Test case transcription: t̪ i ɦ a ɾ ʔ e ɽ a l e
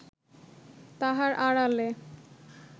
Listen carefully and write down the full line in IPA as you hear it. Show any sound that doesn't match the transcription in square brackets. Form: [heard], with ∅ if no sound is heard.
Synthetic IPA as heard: t̪ [a] ɦ a ɾ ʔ [a] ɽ a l e